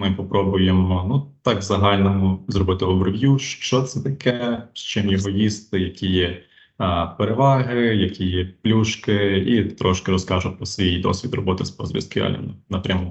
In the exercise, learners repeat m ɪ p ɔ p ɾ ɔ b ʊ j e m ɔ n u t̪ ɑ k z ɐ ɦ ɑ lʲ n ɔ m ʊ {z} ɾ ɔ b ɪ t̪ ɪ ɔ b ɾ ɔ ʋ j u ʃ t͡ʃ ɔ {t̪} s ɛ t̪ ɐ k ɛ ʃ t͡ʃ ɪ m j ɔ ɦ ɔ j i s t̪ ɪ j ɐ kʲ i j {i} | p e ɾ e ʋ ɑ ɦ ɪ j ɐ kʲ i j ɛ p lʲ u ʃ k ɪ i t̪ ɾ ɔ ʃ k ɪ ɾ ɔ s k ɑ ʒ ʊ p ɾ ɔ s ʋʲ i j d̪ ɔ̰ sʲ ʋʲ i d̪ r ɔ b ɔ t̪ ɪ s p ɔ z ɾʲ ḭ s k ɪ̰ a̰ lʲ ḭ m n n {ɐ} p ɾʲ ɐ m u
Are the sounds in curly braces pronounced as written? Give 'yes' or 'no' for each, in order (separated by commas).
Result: yes, yes, no, yes